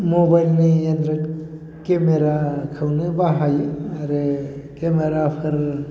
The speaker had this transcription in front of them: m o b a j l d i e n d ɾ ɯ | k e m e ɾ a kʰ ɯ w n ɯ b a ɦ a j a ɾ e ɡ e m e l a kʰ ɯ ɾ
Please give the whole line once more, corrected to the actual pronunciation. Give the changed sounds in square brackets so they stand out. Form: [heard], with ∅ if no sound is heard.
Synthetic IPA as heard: m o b a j l [n] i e n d ɾ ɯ | k e m e ɾ a kʰ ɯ w n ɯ b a ɦ a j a ɾ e [k] e m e [ɾ] a [pʰ] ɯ ɾ